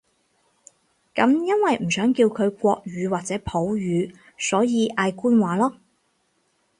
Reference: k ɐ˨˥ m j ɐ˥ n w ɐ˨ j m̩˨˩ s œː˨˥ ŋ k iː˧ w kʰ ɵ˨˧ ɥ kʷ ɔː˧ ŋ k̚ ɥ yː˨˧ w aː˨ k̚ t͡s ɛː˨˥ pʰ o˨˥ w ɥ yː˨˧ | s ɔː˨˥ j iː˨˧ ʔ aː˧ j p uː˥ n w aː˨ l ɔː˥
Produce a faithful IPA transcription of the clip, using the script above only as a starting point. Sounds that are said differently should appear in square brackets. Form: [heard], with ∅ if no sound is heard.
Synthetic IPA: k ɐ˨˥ m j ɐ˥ n w ɐ˨ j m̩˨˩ s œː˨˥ ŋ k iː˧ w kʰ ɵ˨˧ ɥ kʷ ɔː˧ [∅] k̚ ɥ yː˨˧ w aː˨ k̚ t͡s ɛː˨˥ pʰ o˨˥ w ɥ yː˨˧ | s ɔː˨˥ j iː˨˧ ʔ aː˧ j [k] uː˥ n w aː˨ l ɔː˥